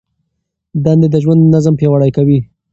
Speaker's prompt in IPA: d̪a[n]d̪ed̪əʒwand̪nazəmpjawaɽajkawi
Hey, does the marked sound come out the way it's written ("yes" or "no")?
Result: yes